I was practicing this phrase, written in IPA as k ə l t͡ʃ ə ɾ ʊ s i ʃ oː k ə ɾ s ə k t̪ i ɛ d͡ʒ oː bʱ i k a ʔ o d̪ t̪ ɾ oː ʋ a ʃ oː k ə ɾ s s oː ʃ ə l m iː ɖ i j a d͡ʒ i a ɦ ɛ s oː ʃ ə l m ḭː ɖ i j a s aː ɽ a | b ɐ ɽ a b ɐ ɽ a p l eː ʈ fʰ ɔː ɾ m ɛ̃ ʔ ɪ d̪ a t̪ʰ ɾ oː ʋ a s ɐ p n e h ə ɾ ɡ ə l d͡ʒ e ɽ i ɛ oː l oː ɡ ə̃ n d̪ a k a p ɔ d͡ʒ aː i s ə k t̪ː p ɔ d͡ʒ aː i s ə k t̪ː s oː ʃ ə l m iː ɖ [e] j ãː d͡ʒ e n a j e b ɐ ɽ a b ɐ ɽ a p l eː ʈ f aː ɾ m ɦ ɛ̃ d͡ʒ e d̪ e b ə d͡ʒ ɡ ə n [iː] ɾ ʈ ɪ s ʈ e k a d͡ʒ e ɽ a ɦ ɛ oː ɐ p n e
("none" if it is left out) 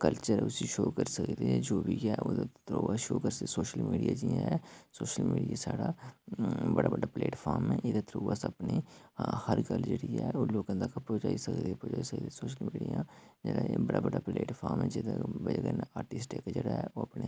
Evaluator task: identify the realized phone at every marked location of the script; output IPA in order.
i, aː

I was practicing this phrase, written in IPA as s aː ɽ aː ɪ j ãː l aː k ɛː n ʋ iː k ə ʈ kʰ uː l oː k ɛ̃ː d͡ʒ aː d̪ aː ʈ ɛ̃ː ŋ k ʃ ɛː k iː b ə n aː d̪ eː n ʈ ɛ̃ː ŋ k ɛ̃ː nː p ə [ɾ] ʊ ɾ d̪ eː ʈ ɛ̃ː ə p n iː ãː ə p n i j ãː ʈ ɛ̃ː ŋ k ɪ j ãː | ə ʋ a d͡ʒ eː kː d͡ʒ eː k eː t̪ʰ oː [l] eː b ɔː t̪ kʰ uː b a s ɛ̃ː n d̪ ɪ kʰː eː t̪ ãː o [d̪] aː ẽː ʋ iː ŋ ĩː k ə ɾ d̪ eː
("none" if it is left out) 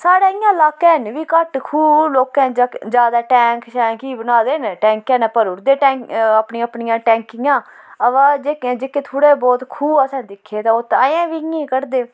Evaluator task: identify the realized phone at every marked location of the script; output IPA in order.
ɾ, ɽ, t̪

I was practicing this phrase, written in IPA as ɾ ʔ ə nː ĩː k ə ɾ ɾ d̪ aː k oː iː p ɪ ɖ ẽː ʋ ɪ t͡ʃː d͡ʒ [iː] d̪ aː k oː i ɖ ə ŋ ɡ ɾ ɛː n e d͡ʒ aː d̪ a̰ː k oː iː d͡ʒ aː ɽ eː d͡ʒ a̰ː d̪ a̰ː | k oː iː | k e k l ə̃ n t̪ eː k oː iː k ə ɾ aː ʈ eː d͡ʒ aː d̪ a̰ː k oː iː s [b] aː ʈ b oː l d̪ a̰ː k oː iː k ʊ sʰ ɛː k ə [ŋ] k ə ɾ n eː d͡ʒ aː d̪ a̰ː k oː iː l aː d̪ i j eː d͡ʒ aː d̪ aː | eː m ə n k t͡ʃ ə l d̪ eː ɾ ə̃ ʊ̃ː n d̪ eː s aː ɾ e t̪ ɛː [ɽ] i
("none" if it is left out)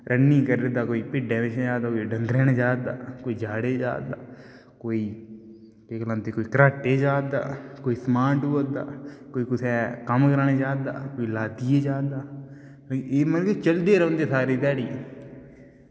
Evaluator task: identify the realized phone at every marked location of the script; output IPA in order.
aː, m, m, ɽ

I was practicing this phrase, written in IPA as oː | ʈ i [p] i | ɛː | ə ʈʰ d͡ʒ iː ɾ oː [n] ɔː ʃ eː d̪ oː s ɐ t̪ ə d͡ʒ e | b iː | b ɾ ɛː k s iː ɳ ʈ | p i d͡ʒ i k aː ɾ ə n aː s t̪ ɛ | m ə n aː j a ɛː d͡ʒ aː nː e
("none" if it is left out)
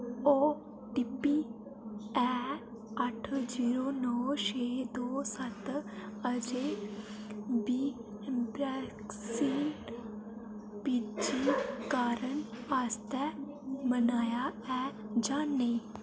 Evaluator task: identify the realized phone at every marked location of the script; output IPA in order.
p, n

